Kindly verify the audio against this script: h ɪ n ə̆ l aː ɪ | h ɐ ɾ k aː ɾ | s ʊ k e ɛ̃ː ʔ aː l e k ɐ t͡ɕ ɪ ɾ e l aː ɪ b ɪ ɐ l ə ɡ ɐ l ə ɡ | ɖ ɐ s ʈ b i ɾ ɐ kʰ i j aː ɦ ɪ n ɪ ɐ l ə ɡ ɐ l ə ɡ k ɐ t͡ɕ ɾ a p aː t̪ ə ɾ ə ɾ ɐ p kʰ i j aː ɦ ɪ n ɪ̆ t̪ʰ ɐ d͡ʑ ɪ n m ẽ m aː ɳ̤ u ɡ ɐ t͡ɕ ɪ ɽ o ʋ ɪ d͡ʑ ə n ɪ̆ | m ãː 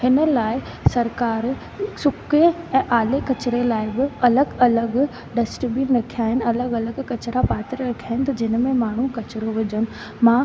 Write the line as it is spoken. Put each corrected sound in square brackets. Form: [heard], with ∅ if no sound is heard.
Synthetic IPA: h ɪ n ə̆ l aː ɪ | [s] ɐ ɾ k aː ɾ | s ʊ k e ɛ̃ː ʔ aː l e k ɐ t͡ɕ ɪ ɾ e l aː ɪ b ɪ ɐ l ə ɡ ɐ l ə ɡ | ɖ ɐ s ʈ b i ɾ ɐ kʰ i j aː ɦ ɪ n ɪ ɐ l ə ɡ ɐ l ə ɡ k ɐ t͡ɕ ɾ a p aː t̪ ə ɾ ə ɾ ɐ [∅] kʰ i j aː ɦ ɪ n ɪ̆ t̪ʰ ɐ d͡ʑ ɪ n m ẽ m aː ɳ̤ u [k] ɐ t͡ɕ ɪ [ɾ] o ʋ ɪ d͡ʑ ə n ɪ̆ | m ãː

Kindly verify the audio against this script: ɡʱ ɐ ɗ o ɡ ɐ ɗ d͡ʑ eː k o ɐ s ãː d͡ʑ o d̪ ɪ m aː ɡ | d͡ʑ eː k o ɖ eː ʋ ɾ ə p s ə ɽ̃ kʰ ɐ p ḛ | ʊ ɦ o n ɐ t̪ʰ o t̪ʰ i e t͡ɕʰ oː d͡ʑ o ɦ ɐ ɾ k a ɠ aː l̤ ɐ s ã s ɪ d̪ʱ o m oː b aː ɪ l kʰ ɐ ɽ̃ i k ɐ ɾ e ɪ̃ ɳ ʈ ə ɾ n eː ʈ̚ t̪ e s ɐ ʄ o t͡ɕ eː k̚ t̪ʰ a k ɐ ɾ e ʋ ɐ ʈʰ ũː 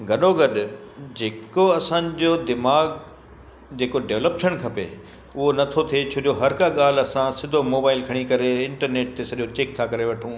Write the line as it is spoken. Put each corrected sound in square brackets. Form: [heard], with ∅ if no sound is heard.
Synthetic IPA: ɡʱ ɐ ɗ o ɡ ɐ ɗ d͡ʑ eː k o ɐ s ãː d͡ʑ o d̪ ɪ m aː ɡ | d͡ʑ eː k o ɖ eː ʋ [l] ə p [ʃ] ə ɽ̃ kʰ ɐ p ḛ | ʊ ɦ o n ɐ t̪ʰ o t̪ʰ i e t͡ɕʰ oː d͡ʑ o ɦ ɐ ɾ k a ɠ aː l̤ ɐ s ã s ɪ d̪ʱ o m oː b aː ɪ l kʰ ɐ ɽ̃ i k ɐ ɾ e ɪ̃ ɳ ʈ ə ɾ n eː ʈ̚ t̪ e s ɐ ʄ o t͡ɕ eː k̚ t̪ʰ a k ɐ ɾ e ʋ ɐ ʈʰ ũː

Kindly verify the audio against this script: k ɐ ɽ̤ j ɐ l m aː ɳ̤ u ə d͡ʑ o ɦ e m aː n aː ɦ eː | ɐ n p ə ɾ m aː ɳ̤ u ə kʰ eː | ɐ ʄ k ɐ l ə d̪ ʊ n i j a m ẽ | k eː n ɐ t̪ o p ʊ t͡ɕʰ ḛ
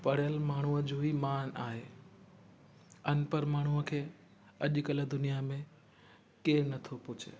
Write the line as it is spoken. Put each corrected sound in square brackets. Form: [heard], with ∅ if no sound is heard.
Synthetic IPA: [p] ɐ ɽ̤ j [ə] l m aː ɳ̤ u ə d͡ʑ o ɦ [i] m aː n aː ɦ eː | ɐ n p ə ɾ m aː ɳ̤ u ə kʰ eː | ɐ ʄ k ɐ l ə d̪ ʊ n i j a m ẽ | k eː n ɐ [t̪ʰ] o p ʊ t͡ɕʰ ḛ

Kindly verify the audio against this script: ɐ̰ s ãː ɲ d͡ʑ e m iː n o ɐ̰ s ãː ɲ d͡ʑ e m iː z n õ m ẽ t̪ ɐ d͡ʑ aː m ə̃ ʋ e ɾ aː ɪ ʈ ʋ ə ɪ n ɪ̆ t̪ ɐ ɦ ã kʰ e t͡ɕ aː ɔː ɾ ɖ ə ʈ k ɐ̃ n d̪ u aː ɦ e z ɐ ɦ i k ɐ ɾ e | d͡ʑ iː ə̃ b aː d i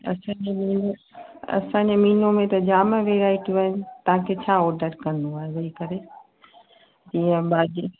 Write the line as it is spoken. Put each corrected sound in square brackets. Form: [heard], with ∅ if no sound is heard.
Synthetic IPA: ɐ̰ s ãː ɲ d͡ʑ e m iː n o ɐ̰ s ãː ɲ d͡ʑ e m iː [∅] n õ m ẽ t̪ ɐ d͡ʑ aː m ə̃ ʋ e ɾ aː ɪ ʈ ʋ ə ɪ n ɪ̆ t̪ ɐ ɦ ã kʰ e [t͡ɕʰ] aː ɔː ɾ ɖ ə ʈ k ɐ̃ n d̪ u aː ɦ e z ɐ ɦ i k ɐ ɾ e | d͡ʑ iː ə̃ b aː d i

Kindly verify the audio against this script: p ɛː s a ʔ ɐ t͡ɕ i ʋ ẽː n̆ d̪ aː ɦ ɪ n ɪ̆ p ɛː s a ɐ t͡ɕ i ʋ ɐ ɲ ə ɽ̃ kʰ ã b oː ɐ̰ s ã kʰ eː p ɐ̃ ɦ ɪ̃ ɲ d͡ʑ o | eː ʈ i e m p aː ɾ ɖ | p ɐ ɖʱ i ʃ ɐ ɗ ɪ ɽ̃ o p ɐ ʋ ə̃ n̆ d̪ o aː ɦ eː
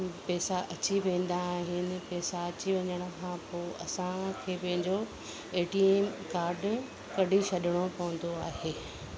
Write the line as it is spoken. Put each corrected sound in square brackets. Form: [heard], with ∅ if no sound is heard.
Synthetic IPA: p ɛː s a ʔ ɐ t͡ɕ i ʋ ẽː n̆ d̪ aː ɦ ɪ n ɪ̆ p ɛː s a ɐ t͡ɕ i ʋ ɐ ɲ ə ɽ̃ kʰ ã [p] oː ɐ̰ s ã kʰ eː p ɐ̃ ɦ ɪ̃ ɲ d͡ʑ o | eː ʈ i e m [k] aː ɾ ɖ | [k] ɐ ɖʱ i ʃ ɐ ɗ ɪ ɽ̃ o p ɐ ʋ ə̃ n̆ d̪ o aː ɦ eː

